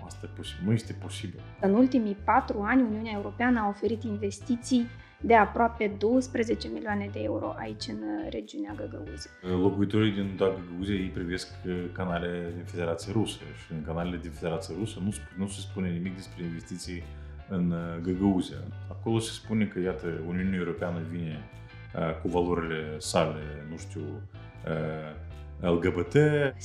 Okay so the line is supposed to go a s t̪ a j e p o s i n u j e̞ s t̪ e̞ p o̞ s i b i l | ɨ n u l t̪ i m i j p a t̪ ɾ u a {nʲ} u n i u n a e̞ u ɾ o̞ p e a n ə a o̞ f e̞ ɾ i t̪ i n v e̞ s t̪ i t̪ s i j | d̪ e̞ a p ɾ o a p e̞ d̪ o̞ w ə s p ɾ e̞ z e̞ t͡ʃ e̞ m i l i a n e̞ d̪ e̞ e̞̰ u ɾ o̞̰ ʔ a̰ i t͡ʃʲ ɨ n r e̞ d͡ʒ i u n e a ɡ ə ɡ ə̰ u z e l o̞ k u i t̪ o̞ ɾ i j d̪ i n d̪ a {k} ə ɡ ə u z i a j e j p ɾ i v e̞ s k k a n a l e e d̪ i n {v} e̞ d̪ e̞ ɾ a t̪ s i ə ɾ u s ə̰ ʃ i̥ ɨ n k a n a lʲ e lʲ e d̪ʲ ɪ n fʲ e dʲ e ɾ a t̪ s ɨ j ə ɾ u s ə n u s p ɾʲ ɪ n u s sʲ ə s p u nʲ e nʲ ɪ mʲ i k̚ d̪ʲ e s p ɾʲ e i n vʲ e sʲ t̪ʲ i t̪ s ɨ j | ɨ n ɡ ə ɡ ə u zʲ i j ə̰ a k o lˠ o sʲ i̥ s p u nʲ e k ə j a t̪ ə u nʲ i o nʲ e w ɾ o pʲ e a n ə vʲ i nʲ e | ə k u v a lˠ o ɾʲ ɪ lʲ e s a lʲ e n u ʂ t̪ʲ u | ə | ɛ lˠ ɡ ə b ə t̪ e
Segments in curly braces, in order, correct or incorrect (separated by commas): correct, incorrect, incorrect